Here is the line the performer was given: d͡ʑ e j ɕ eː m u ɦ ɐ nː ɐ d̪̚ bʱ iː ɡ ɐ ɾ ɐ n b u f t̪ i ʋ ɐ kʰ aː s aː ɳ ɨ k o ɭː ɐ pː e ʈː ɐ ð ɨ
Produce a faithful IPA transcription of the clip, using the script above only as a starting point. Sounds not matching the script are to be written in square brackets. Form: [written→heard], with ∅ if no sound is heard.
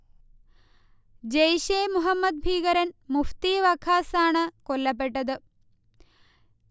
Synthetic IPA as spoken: d͡ʑ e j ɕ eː m u ɦ ɐ [nː→mː] ɐ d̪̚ bʱ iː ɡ ɐ ɾ ɐ n [b→m] u f t̪ i ʋ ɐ kʰ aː s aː ɳ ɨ k o [ɭː→lː] ɐ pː e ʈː ɐ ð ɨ